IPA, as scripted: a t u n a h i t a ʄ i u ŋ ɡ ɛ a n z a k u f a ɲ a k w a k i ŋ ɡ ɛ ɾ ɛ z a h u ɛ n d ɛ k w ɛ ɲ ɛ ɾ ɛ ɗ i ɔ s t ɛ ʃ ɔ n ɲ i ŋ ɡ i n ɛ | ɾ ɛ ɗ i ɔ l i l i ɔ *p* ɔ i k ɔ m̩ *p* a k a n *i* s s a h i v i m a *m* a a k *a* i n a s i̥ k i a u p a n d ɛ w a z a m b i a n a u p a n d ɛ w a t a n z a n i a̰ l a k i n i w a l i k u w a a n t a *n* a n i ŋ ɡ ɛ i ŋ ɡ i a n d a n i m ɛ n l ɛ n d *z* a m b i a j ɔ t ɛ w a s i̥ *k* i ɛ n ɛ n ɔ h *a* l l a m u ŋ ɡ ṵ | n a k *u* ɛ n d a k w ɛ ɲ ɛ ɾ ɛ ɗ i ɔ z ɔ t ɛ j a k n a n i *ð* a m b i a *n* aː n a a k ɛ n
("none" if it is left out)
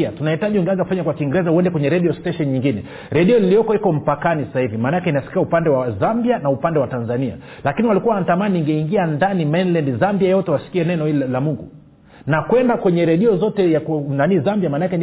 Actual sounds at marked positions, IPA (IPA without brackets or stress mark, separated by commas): k, p, i, n, ɛ, m, z, k, i, w, z, m